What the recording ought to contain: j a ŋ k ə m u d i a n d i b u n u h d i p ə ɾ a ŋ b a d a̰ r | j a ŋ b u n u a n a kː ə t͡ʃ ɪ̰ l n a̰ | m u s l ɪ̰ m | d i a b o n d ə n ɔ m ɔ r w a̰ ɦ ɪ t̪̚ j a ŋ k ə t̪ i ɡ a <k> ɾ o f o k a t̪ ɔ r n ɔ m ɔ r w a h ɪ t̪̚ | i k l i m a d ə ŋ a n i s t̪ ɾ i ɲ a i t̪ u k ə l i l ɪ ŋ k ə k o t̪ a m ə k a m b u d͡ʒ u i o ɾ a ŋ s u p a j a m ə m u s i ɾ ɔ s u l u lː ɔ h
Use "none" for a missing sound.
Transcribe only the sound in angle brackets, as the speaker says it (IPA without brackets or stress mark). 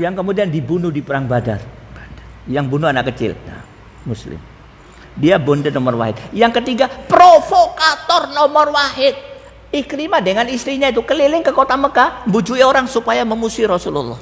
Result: p